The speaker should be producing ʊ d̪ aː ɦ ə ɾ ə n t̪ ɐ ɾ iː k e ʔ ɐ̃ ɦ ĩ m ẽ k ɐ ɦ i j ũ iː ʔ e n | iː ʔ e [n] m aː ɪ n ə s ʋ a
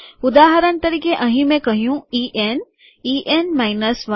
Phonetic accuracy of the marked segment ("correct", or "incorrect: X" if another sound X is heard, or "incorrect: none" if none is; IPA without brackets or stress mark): correct